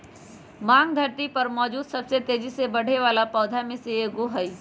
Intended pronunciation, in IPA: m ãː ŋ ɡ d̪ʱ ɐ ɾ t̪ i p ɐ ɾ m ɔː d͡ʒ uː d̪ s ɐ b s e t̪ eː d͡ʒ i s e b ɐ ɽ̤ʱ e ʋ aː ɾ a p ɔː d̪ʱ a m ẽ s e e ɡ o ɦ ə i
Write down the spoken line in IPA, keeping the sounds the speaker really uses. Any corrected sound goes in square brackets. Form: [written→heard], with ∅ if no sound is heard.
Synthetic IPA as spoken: m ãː ŋ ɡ d̪ʱ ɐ ɾ t̪ i p ɐ ɾ m ɔː d͡ʒ uː d̪ s ɐ b s e t̪ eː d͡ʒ i s e b ɐ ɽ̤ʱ e ʋ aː [ɾ→l] a p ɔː d̪ʱ a m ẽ s e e ɡ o ɦ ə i